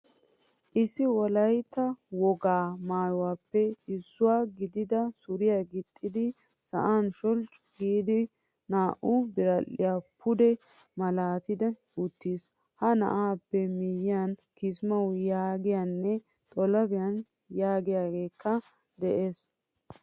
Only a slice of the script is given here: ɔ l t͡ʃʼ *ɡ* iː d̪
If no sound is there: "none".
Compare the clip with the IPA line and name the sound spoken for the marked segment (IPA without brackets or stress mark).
ɡ